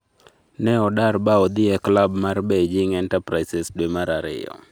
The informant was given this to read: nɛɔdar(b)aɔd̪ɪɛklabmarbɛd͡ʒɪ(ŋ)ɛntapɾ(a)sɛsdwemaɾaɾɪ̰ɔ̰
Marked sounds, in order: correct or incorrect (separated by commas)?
correct, correct, correct